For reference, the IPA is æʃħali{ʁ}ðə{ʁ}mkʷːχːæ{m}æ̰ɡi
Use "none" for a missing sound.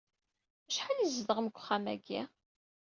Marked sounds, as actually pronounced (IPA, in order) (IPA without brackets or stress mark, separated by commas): z, ʁ, m